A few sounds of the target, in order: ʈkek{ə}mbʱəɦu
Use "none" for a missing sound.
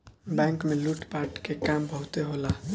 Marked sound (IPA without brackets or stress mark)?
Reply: a